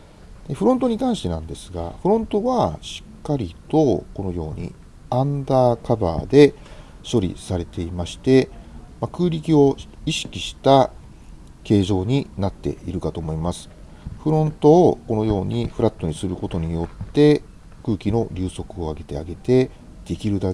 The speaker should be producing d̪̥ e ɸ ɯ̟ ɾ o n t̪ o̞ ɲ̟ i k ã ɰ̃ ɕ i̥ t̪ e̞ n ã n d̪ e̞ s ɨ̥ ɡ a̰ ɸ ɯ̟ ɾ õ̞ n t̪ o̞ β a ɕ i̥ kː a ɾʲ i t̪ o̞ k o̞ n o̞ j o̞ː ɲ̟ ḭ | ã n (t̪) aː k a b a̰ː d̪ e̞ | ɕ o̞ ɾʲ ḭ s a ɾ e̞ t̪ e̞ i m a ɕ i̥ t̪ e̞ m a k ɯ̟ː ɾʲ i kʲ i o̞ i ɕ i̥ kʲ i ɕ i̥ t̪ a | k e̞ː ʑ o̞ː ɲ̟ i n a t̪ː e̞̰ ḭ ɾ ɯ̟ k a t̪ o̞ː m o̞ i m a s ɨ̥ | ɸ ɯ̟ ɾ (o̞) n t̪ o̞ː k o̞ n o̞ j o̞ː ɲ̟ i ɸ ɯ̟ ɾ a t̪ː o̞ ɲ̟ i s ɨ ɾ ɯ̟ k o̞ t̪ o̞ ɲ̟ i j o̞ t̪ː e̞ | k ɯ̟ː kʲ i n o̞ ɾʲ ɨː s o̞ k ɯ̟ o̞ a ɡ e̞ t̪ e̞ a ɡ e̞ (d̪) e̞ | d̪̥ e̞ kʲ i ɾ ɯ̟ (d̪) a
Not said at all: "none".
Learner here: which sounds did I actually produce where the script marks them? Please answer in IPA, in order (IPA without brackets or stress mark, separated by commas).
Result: d̪, õ̞, t̪, d̪